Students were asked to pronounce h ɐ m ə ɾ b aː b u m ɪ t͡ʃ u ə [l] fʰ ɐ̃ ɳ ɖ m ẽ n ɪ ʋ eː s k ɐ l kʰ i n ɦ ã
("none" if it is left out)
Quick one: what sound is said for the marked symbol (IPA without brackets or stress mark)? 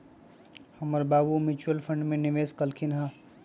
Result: l